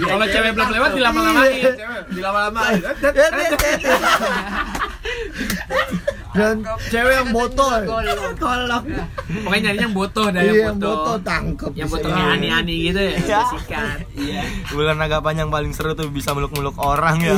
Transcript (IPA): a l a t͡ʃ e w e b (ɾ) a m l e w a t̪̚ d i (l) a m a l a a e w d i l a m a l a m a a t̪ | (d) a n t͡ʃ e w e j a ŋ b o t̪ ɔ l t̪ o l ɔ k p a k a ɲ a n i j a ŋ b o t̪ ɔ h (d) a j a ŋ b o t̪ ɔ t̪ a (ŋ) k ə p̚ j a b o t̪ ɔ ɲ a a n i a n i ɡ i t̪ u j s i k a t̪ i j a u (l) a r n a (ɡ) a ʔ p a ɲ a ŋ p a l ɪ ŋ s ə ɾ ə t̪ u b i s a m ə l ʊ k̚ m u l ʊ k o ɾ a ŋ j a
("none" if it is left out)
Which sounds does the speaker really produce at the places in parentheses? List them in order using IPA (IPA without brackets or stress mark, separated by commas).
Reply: l, l, d, d, ŋ, l, ɡ